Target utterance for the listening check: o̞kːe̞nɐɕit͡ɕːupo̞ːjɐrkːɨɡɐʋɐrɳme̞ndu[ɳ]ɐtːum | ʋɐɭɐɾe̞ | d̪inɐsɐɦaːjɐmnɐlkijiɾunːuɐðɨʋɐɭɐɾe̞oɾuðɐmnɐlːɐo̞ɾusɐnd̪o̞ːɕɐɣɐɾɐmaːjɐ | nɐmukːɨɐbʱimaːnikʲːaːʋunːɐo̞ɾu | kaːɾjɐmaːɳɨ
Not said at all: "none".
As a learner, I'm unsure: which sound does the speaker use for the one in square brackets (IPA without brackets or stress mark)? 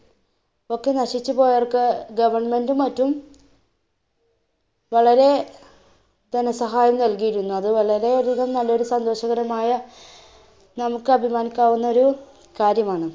m